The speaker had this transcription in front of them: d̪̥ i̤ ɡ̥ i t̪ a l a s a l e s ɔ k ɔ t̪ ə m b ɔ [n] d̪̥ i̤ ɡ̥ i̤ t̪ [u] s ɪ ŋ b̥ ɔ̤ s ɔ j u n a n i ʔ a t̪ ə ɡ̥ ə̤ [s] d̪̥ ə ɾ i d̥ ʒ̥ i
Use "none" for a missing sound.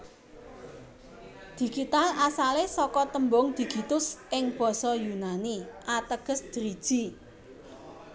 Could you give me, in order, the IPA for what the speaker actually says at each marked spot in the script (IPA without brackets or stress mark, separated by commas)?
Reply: ŋ, ʊ, s